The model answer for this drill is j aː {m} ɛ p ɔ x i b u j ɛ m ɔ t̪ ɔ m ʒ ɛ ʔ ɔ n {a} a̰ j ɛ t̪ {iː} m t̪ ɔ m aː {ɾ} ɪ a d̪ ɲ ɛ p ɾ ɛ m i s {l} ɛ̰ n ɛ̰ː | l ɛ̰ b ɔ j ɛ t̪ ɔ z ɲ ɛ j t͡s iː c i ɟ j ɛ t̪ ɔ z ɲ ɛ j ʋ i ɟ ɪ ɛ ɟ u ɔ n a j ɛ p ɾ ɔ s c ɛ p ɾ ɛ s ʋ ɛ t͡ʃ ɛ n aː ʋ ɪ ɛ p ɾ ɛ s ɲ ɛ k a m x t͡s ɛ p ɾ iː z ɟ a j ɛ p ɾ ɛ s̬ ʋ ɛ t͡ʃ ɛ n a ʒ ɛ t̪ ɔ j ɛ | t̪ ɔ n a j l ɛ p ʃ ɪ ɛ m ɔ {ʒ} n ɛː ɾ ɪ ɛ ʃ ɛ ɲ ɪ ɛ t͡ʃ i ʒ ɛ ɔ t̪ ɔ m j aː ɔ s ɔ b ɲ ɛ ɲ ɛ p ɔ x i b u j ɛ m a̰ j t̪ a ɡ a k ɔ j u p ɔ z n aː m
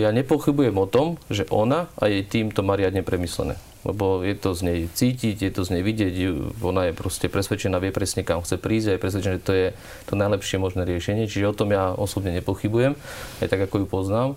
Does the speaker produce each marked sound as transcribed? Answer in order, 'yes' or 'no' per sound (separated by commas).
no, yes, yes, yes, yes, yes